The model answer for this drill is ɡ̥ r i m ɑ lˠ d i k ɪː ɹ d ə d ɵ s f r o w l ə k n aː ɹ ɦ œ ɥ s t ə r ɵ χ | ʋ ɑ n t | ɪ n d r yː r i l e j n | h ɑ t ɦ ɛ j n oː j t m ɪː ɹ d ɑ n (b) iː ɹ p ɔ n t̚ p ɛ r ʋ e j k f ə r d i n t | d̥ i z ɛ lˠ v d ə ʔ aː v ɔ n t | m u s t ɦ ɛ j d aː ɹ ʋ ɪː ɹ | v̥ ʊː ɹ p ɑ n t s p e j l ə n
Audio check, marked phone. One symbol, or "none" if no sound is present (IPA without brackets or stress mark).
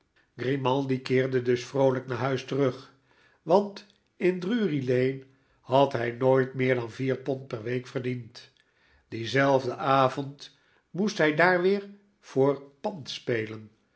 v